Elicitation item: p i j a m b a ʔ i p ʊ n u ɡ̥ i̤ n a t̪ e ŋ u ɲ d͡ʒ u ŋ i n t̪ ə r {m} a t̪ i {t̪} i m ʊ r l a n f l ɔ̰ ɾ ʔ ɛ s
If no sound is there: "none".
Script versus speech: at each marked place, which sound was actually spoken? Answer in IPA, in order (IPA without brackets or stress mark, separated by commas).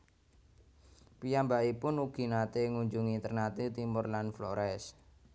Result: n, t̪